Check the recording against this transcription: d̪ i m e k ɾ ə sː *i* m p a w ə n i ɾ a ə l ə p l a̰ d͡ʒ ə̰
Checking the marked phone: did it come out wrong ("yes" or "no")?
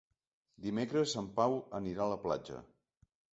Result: yes